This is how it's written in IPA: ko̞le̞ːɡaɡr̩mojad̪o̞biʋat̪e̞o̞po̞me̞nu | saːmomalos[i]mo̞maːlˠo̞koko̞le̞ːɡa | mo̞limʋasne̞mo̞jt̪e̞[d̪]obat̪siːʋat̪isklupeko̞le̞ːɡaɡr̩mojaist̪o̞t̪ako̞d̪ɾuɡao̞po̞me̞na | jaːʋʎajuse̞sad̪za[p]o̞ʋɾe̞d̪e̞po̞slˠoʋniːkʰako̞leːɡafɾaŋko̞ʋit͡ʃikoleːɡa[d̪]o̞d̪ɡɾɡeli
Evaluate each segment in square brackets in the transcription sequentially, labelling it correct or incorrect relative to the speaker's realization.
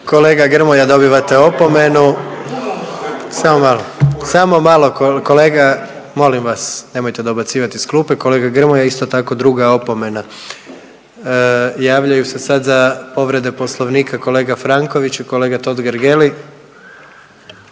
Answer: incorrect: a, correct, correct, incorrect: t̪

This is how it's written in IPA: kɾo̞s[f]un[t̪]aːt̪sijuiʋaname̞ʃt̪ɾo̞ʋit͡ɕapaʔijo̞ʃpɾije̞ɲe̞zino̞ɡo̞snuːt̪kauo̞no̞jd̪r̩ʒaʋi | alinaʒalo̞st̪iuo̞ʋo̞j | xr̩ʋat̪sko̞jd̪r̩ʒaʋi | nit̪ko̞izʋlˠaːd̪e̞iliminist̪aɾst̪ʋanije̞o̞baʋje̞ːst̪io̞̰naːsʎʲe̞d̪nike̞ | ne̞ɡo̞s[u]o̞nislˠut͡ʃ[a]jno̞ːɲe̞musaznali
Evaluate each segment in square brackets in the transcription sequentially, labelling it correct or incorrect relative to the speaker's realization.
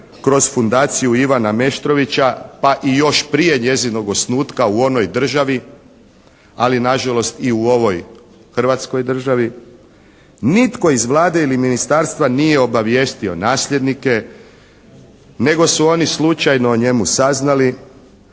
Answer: correct, incorrect: d̪, correct, correct

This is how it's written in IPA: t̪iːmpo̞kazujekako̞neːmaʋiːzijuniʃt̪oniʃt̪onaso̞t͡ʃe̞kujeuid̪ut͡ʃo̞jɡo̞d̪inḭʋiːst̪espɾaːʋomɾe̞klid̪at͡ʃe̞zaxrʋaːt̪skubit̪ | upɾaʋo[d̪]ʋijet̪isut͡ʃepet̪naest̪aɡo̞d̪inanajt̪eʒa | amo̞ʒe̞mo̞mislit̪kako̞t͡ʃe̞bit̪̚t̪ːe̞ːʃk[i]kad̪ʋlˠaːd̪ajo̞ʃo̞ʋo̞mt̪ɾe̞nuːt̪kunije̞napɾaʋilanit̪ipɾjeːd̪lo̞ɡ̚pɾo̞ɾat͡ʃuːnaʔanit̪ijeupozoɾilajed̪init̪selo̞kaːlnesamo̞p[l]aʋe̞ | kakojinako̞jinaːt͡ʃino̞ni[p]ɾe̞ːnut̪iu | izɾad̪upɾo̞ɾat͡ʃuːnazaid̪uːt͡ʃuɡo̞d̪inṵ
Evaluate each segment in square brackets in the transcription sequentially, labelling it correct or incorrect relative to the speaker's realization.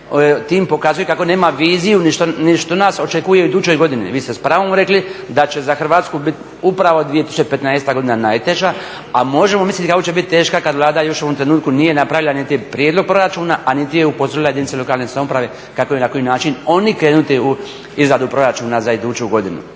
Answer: correct, incorrect: a, incorrect: ɾ, incorrect: k

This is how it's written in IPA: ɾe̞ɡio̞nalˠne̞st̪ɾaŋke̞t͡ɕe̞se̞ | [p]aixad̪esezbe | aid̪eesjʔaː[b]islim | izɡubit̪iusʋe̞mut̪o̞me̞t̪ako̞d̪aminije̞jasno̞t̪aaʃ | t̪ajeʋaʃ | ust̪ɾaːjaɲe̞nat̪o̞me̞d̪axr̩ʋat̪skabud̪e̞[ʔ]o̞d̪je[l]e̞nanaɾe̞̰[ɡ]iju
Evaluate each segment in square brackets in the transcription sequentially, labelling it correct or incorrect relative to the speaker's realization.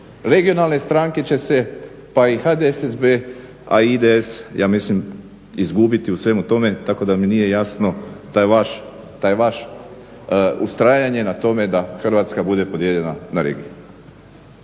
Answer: correct, incorrect: m, incorrect: p, incorrect: ʎ, correct

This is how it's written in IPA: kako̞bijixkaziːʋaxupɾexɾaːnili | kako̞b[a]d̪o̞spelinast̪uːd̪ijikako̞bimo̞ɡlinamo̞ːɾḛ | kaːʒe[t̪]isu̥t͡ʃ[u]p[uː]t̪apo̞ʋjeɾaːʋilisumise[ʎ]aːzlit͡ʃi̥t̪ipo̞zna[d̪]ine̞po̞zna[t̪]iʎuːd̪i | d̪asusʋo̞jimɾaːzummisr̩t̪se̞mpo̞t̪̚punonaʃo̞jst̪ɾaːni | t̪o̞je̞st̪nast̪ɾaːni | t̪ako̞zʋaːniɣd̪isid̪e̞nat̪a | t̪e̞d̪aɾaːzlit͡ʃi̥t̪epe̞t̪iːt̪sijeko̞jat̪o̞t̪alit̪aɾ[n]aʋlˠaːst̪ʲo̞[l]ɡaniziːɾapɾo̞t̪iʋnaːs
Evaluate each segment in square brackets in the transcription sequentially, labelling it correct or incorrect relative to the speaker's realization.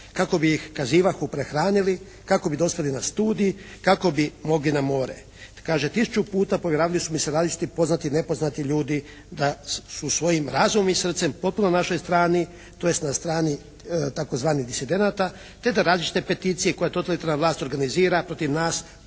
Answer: incorrect: i, correct, correct, correct, incorrect: ɾ, incorrect: t̪, correct, correct, incorrect: ɾ

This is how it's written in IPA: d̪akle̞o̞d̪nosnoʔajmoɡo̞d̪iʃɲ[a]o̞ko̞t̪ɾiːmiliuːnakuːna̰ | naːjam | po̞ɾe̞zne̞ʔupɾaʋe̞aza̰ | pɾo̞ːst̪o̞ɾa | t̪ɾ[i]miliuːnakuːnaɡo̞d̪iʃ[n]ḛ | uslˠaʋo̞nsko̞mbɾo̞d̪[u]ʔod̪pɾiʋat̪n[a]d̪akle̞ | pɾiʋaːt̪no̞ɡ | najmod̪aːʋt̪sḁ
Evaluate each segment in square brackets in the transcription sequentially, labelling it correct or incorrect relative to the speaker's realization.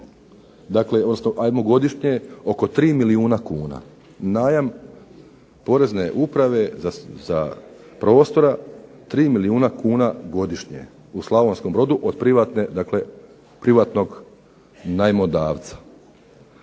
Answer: incorrect: e, incorrect: iː, incorrect: ɲ, correct, incorrect: e

